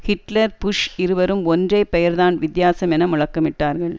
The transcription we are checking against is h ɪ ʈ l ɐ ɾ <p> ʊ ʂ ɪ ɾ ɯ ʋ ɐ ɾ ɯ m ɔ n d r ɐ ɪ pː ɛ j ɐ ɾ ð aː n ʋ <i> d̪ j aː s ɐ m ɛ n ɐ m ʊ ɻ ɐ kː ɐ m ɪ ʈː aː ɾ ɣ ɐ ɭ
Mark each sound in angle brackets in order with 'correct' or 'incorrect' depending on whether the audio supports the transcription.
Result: correct, incorrect: ɪ

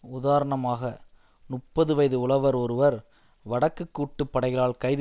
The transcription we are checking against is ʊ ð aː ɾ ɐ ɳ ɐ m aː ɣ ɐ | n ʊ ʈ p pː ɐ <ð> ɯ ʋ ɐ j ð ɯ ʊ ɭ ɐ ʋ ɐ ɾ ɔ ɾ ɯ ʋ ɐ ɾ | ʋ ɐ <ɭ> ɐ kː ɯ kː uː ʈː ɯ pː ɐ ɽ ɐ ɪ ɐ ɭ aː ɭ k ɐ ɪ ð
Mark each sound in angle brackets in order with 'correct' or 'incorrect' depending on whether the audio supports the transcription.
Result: correct, incorrect: ɽ

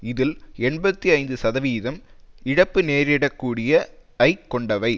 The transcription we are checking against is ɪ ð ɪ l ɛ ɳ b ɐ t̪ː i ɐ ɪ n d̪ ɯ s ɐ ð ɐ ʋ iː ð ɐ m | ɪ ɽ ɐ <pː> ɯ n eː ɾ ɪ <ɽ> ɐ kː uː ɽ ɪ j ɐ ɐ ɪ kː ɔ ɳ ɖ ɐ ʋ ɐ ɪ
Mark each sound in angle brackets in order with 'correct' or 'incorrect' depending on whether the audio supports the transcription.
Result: correct, correct

